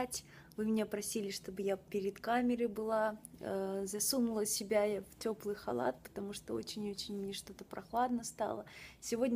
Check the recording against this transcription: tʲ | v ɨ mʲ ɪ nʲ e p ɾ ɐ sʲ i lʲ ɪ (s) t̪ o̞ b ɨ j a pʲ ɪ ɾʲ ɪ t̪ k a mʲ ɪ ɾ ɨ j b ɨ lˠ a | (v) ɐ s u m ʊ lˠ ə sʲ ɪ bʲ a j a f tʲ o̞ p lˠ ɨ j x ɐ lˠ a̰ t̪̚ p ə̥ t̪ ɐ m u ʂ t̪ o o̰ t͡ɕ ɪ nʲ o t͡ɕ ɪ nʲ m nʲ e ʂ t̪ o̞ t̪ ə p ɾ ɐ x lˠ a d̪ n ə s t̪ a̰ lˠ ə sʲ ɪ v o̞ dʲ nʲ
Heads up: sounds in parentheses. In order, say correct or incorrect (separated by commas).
incorrect, incorrect